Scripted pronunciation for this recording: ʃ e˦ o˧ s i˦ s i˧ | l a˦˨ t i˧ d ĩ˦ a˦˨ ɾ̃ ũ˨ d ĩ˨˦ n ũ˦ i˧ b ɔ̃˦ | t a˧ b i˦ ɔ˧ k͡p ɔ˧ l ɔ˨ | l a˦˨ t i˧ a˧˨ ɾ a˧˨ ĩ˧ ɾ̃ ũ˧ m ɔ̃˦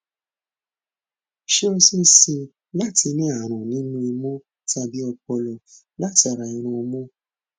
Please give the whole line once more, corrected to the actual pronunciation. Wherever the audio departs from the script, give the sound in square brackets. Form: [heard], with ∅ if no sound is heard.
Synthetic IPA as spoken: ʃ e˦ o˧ s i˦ s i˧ | l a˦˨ t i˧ [n] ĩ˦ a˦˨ ɾ̃ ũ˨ [n] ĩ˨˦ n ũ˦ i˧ [m] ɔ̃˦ | t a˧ b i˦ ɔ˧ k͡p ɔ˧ l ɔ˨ | l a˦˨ t i˧ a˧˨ ɾ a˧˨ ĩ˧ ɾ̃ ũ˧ m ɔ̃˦